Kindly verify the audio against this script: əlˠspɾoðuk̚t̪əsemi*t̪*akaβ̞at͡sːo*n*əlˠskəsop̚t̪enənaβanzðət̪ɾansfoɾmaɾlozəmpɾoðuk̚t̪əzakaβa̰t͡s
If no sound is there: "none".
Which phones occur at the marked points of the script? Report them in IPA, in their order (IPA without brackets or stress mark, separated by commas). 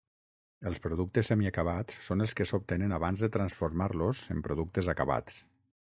none, n